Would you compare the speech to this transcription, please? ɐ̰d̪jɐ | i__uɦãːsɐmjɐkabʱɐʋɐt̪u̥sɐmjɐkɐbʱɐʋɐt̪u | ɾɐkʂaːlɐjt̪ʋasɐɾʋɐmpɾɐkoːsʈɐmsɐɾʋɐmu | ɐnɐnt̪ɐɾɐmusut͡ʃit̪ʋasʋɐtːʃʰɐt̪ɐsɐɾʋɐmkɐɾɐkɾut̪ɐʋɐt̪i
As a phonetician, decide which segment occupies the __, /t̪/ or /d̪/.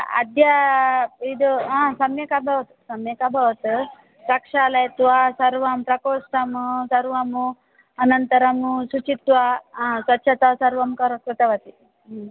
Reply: d̪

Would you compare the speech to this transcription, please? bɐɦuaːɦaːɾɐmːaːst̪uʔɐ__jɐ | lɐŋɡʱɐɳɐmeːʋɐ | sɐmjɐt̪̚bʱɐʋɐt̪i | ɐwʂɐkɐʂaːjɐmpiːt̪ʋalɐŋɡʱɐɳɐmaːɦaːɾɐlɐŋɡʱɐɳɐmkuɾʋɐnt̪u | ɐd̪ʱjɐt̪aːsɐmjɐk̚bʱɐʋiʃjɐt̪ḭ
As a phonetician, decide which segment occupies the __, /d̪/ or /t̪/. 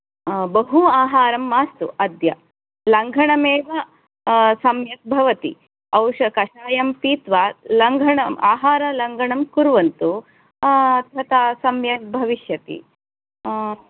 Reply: d̪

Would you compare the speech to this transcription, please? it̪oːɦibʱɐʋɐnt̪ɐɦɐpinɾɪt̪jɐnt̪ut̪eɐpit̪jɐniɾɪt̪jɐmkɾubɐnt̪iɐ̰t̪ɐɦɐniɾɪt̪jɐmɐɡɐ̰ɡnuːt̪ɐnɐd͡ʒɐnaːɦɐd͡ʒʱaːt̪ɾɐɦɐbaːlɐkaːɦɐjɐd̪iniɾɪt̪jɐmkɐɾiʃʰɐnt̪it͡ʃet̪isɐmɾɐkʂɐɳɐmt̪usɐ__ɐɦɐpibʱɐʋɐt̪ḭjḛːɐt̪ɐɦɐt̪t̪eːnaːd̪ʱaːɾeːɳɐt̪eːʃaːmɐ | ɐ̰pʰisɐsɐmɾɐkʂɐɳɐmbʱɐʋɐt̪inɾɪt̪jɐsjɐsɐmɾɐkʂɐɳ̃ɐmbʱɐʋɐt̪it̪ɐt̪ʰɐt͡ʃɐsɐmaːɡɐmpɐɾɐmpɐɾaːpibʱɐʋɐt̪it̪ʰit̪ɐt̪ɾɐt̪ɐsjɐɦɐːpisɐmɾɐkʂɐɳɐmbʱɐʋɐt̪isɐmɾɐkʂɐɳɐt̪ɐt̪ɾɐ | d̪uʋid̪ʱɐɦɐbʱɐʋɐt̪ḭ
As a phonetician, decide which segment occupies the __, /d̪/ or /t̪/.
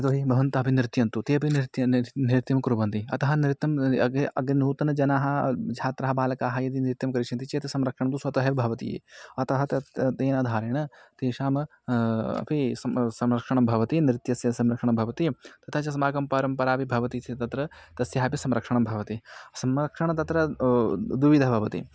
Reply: t̪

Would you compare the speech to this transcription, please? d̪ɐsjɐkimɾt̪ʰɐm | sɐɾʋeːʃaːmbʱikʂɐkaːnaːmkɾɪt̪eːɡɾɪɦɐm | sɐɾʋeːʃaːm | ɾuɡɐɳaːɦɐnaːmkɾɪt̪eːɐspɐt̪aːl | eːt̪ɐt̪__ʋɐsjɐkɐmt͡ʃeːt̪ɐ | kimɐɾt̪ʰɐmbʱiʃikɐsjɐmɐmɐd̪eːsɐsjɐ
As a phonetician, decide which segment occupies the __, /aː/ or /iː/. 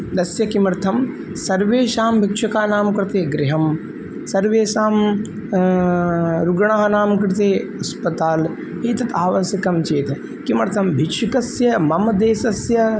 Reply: aː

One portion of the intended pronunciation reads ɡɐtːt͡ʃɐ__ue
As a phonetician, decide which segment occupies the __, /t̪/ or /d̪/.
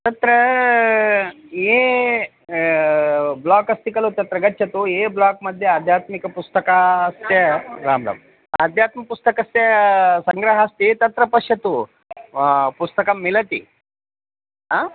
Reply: t̪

